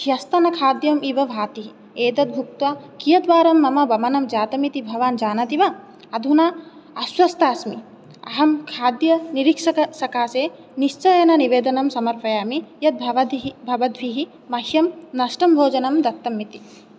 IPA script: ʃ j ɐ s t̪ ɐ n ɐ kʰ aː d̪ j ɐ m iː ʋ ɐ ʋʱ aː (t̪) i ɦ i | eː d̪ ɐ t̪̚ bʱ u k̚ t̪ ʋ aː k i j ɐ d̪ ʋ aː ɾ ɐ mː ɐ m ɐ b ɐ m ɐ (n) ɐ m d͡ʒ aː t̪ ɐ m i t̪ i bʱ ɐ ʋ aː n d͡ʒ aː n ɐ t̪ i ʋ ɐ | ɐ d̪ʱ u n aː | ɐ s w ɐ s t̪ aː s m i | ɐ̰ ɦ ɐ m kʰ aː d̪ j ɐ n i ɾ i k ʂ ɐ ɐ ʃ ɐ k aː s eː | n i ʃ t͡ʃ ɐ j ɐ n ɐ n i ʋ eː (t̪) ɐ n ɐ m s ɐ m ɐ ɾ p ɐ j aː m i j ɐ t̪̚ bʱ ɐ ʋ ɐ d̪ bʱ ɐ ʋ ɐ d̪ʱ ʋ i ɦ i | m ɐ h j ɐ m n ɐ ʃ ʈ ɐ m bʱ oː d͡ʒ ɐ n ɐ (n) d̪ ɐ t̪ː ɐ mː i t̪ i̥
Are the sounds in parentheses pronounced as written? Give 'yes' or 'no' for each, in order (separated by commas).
yes, yes, no, no